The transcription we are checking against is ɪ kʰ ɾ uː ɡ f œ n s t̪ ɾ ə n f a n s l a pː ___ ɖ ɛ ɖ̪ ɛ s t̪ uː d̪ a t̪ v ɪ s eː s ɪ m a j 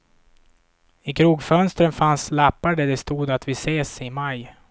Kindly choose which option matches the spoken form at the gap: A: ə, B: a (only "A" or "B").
B